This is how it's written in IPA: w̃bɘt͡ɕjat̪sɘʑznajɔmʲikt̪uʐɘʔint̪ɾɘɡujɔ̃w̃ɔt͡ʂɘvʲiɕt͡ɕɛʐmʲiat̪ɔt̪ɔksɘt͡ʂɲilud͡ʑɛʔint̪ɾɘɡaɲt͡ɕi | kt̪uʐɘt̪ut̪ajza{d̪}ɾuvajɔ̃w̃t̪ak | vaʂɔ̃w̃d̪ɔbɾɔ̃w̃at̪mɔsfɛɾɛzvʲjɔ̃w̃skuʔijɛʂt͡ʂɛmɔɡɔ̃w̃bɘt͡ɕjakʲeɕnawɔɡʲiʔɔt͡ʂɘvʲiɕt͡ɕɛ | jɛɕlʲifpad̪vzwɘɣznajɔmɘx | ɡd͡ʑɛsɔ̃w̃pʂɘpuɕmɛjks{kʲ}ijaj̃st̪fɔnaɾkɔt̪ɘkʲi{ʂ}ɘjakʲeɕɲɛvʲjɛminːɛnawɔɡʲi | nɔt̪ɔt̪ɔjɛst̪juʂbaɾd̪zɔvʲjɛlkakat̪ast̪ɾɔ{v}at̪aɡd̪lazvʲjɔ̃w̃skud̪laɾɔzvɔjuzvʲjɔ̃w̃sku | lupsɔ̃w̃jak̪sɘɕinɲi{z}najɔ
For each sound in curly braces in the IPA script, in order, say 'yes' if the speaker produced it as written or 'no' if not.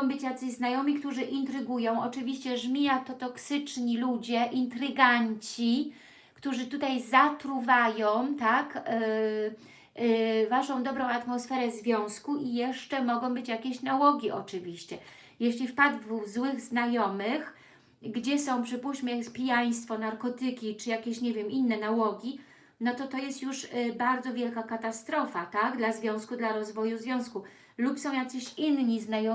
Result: no, no, no, no, yes

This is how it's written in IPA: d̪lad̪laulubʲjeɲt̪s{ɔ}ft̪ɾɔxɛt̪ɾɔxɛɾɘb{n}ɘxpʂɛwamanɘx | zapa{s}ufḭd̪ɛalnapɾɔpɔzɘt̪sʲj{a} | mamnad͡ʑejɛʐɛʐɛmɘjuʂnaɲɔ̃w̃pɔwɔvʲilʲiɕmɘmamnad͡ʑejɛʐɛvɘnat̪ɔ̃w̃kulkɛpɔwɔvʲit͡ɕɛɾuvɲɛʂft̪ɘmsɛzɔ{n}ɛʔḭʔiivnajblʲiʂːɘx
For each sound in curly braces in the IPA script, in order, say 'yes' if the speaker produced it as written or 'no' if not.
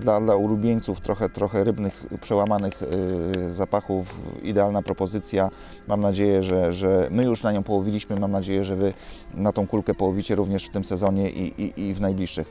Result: no, yes, no, yes, no

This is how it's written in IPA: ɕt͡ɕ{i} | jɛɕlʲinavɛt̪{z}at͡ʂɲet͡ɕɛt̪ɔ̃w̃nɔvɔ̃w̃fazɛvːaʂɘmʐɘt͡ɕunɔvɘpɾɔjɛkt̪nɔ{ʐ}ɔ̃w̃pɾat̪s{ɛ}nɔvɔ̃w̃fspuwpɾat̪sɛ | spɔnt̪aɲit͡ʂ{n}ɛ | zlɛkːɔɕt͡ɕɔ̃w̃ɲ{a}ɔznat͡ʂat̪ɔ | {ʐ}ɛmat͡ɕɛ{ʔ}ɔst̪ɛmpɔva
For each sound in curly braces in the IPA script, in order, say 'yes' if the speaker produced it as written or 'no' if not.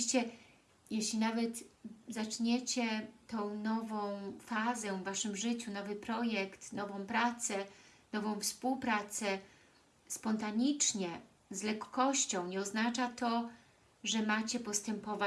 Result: no, yes, no, yes, no, no, yes, no

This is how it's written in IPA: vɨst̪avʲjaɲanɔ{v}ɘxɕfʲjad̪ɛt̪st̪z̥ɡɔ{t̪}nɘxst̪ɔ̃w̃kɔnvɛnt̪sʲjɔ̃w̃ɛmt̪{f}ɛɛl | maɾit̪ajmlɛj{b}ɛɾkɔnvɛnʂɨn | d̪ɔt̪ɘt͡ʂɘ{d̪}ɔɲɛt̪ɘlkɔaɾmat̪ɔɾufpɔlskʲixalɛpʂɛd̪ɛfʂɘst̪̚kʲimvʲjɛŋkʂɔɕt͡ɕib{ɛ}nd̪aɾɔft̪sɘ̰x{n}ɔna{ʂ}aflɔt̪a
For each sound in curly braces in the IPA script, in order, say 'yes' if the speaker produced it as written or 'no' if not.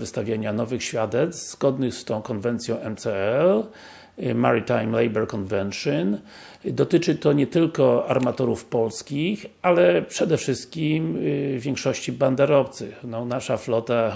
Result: yes, no, no, yes, no, no, yes, yes

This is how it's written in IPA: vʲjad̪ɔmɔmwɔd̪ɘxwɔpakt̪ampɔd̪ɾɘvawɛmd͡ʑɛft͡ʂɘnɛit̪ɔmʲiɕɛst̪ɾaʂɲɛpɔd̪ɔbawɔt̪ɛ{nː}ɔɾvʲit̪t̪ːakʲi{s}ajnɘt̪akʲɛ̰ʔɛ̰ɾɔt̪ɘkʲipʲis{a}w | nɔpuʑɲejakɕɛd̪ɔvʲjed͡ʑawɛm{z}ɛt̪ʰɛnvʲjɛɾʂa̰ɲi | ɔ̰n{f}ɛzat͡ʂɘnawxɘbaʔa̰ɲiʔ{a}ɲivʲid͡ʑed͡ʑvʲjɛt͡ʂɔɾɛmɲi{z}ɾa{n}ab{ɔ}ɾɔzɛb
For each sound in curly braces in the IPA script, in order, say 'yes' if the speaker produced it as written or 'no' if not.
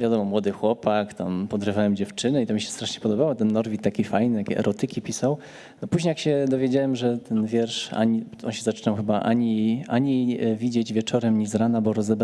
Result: yes, no, yes, no, no, yes, yes, yes, yes

